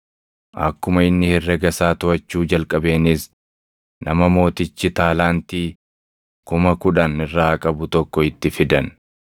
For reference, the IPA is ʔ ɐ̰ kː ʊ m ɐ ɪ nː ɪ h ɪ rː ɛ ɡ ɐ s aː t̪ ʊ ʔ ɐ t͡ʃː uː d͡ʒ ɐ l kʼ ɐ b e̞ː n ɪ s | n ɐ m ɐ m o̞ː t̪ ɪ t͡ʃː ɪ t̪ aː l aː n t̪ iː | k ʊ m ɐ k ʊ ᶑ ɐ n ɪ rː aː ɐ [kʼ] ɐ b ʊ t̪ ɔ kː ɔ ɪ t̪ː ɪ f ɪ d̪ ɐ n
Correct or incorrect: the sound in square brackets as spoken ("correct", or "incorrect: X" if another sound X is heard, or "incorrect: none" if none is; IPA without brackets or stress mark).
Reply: correct